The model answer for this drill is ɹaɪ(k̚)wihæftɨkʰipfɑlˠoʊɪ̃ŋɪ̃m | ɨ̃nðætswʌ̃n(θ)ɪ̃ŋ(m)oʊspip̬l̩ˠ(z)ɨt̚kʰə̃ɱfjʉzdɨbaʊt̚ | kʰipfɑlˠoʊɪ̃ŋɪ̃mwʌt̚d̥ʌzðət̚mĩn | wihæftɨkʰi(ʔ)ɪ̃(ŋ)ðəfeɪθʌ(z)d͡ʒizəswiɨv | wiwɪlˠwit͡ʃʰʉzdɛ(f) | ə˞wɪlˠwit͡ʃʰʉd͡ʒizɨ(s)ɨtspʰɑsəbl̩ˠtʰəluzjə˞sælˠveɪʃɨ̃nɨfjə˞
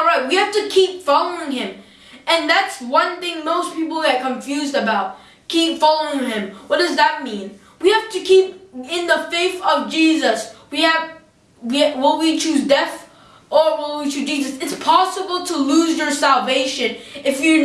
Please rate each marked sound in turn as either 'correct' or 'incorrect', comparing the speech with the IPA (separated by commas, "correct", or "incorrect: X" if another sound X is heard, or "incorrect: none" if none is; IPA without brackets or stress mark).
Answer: incorrect: t̚, correct, correct, incorrect: ð, incorrect: p, incorrect: n, incorrect: v, incorrect: θ, correct